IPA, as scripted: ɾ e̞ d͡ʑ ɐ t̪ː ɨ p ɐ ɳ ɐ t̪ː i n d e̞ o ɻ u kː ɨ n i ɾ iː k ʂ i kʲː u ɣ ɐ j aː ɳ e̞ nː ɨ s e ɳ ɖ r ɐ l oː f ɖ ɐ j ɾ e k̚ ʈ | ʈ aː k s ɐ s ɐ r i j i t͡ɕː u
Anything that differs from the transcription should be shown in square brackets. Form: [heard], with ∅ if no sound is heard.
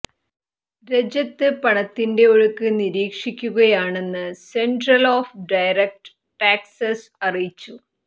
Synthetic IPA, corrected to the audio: ɾ e̞ d͡ʑ ɐ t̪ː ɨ p ɐ ɳ ɐ t̪ː i n d e̞ o ɻ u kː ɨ n i ɾ iː k ʂ i kʲː u ɣ ɐ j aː ɳ e̞ nː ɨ s e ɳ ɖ r ɐ l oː f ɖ ɐ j ɾ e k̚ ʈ | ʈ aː k s ɐ s ɐ r i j i t͡ɕː u